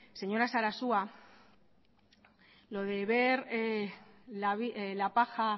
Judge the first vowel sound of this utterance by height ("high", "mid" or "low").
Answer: mid